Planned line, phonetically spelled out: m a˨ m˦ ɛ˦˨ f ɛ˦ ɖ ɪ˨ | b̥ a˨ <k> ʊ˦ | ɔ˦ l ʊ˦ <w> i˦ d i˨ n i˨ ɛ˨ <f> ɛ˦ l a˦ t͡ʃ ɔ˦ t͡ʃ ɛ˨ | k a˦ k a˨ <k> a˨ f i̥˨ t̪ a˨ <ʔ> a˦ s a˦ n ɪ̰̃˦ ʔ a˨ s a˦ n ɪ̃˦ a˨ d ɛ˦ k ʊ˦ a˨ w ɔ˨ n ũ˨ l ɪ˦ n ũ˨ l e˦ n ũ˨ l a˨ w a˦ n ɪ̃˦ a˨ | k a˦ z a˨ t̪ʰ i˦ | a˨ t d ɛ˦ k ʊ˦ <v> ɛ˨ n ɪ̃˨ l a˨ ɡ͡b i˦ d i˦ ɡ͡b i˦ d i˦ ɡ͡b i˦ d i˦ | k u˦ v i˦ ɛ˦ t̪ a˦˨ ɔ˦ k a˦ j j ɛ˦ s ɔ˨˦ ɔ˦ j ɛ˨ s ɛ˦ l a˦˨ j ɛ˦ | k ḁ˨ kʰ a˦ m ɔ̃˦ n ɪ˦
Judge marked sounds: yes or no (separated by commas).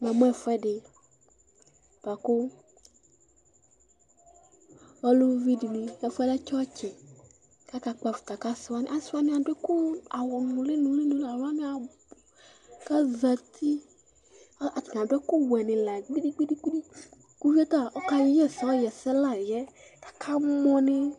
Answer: yes, no, yes, no, no, no